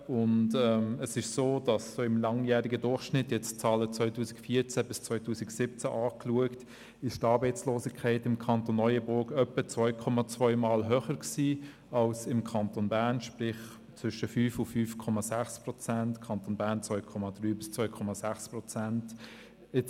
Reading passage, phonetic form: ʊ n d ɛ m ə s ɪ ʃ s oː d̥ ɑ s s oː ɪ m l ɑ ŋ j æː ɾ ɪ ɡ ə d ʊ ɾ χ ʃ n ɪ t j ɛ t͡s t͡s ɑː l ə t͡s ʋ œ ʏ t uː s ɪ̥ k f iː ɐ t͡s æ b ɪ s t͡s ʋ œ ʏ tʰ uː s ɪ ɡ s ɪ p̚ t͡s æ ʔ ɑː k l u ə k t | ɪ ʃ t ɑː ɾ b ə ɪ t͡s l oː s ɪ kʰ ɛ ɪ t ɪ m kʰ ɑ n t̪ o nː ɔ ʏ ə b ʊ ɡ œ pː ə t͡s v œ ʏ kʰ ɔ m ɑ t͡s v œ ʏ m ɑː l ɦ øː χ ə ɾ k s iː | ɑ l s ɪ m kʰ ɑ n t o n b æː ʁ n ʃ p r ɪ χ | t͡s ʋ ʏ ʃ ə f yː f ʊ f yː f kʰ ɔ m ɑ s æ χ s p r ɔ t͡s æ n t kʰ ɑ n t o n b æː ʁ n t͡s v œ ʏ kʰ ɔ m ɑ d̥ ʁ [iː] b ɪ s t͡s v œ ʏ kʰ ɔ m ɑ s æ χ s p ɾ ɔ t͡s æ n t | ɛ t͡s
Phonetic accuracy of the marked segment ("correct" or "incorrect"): incorrect